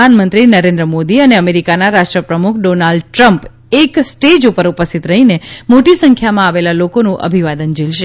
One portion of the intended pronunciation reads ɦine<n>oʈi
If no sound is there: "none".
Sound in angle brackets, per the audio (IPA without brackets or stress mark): m